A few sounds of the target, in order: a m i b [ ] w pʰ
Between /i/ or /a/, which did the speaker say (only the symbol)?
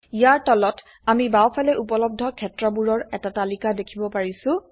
a